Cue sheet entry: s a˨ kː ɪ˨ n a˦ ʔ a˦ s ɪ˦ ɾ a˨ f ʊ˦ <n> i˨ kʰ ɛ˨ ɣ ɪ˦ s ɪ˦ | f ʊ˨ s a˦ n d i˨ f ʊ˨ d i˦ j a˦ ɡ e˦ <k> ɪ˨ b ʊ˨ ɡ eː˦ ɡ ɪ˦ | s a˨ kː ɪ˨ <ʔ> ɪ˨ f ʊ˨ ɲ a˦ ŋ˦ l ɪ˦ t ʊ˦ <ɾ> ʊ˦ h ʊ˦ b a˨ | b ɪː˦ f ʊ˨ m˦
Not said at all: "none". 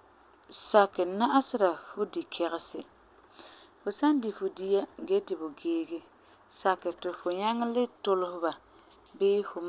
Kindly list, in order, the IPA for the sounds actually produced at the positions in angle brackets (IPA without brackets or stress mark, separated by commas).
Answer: d, t, t, l